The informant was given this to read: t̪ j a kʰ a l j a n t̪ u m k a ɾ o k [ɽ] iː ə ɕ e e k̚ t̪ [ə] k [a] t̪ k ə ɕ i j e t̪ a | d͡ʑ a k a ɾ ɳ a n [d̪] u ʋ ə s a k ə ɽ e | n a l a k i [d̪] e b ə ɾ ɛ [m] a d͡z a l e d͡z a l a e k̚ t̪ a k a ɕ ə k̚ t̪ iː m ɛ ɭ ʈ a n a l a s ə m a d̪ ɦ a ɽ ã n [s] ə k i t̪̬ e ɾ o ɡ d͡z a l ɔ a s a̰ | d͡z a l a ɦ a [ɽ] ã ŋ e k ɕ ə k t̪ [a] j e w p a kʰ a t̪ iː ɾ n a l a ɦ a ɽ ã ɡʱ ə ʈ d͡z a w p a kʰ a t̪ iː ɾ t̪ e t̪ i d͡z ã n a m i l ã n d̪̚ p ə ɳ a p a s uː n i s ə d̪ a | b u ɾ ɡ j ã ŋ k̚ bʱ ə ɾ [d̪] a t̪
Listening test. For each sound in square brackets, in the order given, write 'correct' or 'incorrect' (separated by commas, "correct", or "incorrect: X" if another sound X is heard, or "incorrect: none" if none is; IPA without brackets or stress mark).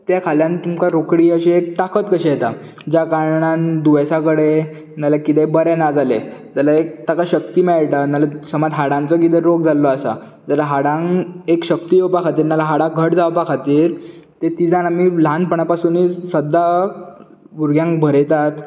correct, incorrect: a, incorrect: ə, correct, incorrect: t̪, incorrect: n, incorrect: t͡s, correct, incorrect: i, incorrect: t̪